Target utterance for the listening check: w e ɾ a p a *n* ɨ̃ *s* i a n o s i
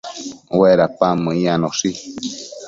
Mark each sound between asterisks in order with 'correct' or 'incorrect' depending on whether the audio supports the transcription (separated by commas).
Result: incorrect, incorrect